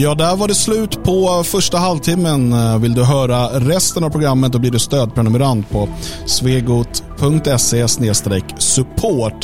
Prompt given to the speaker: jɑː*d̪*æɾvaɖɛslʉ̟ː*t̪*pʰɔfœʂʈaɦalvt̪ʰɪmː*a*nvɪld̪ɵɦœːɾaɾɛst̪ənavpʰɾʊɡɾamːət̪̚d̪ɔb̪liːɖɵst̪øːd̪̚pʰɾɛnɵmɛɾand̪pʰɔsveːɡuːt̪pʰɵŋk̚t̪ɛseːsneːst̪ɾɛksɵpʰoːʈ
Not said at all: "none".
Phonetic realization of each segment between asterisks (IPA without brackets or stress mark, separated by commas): d̪, t̪, ə